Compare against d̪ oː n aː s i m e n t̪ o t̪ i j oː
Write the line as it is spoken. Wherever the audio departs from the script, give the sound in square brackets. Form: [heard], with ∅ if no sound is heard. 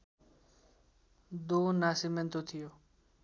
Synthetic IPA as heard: d̪ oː n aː s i m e n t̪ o [t̪ʰ] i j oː